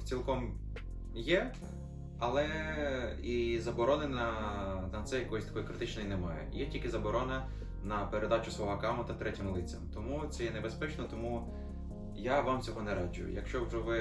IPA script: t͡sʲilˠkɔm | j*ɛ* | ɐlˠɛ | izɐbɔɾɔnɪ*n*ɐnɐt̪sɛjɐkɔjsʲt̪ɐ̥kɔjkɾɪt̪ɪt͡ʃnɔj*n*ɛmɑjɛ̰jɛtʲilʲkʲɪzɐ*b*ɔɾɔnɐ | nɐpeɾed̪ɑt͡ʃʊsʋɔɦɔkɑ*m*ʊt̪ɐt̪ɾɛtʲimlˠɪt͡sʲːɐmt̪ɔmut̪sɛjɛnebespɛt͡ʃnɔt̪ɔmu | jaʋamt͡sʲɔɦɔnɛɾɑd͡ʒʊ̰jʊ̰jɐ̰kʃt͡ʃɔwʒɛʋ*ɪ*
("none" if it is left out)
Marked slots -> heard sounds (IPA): ɛ, n, n, b, m, ɪ

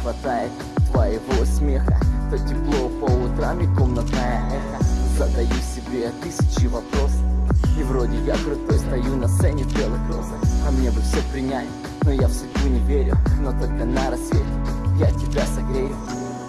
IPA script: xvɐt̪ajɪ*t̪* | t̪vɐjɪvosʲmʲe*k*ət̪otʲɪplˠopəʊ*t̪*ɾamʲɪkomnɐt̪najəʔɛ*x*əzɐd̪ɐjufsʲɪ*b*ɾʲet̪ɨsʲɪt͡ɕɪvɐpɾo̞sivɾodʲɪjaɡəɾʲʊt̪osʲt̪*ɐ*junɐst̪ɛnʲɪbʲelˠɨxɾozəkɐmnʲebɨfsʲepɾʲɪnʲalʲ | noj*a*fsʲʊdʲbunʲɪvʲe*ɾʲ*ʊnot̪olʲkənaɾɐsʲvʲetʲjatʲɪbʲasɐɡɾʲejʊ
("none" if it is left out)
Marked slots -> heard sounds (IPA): t̪, x, t̪, x, b, ɐ, a, ɾʲ

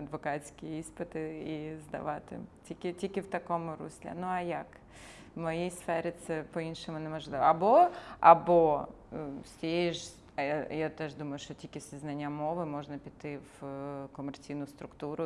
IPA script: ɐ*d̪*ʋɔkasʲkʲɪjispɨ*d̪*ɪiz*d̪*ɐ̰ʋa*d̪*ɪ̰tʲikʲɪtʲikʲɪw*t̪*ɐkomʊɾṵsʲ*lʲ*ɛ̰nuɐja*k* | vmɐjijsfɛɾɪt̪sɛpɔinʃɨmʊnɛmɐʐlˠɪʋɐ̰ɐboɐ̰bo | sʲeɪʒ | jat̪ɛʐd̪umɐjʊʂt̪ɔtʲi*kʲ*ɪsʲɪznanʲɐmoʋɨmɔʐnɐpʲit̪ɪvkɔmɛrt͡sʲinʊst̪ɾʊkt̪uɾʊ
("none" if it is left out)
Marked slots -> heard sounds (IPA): d̪, t̪, d̪, t̪, t̪, lʲ, k, kʲ

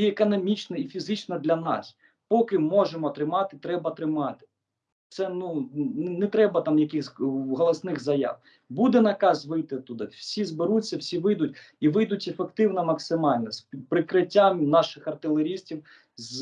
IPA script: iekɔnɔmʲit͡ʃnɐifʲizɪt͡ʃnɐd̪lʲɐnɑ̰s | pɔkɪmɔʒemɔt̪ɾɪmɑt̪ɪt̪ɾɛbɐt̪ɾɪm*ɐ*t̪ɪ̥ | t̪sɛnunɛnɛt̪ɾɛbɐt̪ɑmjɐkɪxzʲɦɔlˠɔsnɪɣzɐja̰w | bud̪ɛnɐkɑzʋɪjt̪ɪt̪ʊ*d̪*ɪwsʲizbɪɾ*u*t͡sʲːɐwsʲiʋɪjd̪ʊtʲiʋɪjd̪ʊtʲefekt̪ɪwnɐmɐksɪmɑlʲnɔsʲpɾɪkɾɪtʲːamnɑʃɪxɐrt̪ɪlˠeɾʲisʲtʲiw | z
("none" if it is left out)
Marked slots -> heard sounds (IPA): ɑ, d̪, u

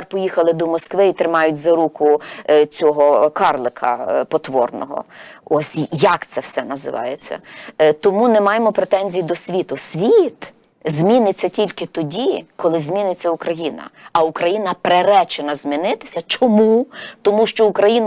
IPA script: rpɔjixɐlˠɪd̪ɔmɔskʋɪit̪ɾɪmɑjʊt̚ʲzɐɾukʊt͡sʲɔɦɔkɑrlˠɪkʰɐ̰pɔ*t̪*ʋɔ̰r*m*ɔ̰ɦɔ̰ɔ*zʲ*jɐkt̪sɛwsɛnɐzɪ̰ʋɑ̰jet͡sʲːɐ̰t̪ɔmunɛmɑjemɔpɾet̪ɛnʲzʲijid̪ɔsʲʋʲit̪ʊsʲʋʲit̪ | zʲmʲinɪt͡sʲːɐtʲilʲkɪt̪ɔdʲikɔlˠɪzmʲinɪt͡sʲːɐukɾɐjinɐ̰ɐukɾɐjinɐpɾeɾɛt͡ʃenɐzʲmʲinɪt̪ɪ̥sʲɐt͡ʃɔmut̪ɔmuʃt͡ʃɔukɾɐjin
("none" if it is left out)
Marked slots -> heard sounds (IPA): t̪, n, sʲ

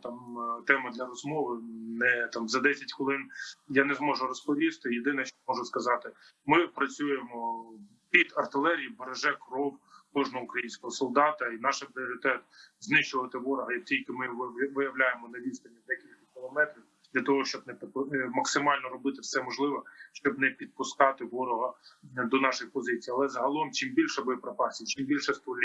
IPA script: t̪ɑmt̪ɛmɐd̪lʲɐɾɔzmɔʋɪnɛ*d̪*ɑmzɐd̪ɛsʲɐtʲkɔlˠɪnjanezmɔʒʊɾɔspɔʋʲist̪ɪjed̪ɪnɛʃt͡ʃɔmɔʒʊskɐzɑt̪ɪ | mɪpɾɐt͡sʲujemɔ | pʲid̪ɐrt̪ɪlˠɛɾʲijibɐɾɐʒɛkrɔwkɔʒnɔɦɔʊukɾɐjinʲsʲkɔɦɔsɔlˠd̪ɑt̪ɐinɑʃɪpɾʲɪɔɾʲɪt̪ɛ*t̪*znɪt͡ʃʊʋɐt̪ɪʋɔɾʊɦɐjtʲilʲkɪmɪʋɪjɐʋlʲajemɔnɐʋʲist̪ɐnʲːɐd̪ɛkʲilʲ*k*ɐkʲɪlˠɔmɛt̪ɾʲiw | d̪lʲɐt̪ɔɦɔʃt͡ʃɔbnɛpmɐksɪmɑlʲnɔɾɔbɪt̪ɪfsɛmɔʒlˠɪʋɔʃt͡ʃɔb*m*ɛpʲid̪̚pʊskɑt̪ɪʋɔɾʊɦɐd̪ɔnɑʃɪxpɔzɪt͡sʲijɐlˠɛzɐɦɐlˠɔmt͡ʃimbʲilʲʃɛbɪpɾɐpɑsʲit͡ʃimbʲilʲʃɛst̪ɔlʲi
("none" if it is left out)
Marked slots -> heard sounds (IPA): t̪, t̪, k, n

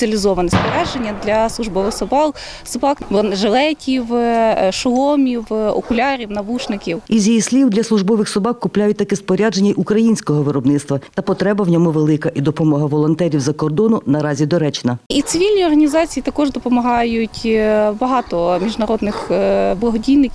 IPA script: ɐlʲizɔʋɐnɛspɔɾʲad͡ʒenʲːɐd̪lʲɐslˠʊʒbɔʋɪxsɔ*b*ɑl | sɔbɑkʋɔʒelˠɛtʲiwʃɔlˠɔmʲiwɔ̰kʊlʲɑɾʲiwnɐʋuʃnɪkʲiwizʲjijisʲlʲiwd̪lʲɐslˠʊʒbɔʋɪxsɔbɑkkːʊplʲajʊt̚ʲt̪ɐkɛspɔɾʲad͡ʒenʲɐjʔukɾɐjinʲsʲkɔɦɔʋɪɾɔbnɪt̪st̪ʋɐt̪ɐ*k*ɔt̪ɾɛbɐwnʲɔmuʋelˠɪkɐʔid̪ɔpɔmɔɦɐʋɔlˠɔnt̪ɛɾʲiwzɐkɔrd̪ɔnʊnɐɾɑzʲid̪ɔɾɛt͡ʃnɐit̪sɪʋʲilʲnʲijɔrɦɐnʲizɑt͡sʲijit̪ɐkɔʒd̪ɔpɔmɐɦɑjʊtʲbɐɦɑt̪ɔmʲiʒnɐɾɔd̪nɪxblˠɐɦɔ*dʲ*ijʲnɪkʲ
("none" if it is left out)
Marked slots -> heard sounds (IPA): b, p, dʲ

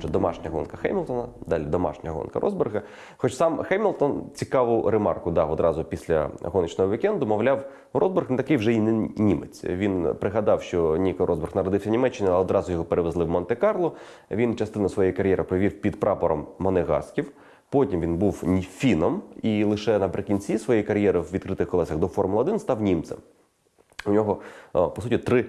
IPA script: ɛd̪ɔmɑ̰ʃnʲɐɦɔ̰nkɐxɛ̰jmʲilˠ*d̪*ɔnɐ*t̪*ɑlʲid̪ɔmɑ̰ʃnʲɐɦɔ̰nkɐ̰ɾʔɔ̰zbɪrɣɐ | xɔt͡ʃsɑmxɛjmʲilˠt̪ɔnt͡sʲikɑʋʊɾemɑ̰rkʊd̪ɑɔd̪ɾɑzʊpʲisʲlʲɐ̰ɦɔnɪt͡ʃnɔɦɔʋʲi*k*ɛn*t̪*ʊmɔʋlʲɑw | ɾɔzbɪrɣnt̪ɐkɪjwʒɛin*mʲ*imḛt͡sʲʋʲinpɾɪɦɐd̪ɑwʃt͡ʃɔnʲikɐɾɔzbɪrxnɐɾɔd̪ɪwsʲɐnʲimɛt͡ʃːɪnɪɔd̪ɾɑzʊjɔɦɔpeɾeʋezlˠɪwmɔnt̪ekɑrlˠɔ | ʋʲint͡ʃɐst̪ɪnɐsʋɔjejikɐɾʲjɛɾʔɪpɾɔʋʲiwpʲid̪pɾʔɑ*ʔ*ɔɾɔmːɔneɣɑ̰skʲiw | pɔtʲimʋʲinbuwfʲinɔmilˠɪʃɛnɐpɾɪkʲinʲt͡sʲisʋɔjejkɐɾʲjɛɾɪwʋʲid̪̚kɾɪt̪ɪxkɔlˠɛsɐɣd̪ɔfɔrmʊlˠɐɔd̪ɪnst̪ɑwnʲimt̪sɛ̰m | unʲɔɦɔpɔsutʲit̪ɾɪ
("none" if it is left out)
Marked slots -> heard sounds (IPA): t̪, d̪, k, d̪, nʲ, p

